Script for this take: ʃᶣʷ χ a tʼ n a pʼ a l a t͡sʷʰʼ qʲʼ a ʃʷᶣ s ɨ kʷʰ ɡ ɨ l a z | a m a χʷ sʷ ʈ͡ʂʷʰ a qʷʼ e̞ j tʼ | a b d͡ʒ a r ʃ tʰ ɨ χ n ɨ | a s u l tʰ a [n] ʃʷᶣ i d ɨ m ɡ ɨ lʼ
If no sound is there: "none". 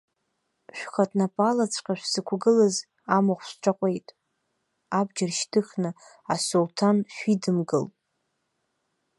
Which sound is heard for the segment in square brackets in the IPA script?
n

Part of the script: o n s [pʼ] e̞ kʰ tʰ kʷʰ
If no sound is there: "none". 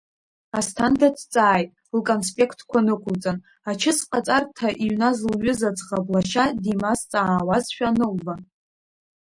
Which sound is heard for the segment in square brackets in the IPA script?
pʼ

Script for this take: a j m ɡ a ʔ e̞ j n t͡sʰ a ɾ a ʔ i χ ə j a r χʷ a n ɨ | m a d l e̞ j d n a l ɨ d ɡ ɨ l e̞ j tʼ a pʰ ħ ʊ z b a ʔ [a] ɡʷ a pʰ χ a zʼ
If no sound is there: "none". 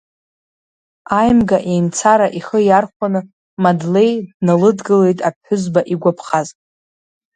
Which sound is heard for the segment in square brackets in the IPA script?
i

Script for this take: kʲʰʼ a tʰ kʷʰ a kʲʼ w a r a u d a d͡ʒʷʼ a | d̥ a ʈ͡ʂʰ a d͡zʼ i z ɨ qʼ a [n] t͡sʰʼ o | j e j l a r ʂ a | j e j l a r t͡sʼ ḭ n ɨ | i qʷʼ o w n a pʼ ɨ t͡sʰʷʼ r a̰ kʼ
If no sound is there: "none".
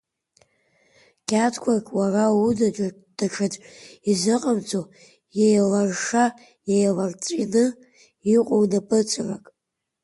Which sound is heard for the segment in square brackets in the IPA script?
m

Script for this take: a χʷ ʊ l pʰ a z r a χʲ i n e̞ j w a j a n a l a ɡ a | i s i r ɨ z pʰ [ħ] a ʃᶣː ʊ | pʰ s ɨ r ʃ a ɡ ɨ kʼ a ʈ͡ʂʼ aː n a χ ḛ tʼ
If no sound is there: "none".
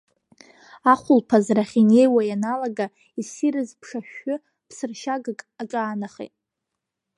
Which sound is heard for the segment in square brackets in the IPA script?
ʂ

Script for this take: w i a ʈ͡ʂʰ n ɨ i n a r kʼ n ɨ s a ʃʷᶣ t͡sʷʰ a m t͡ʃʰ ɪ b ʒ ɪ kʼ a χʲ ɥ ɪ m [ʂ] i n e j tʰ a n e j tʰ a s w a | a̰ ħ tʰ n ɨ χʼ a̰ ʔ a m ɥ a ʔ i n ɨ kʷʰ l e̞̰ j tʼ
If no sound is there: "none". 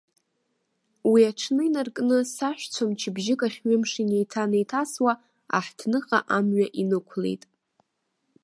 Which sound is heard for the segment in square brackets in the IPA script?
ʂ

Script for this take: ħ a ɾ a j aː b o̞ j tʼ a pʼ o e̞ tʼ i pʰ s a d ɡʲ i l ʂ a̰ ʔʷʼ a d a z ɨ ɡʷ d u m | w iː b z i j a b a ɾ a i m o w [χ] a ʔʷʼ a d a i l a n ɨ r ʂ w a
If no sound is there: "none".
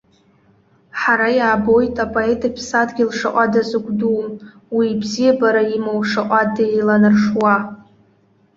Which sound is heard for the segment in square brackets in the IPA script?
ʂ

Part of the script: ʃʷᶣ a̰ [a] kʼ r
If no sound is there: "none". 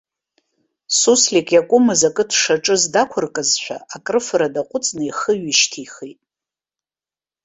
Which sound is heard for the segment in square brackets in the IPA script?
a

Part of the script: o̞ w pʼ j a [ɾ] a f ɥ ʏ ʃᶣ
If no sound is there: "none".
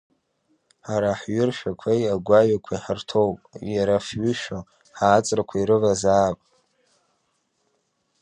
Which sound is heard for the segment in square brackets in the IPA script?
ɾ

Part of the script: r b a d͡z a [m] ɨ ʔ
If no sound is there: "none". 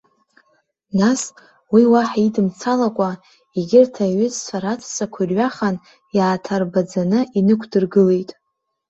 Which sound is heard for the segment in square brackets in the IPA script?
n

